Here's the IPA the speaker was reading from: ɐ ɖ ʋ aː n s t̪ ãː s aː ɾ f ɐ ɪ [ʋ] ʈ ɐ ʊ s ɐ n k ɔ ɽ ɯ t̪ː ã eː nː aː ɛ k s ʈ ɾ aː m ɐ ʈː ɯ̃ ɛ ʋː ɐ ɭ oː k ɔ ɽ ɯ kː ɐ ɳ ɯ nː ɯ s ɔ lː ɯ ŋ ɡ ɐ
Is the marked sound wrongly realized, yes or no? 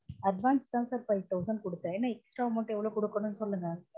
no